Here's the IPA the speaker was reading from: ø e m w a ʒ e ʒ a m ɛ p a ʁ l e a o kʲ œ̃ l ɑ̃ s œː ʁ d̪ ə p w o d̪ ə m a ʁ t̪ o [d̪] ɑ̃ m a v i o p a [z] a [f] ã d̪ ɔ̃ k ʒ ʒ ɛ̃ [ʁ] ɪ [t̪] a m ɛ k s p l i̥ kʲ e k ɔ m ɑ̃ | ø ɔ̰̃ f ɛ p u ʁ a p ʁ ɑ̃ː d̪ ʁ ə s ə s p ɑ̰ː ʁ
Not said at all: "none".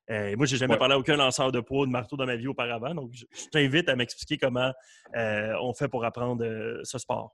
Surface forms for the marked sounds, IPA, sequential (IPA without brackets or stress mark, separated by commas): d̪, ʁ, v, v, t̪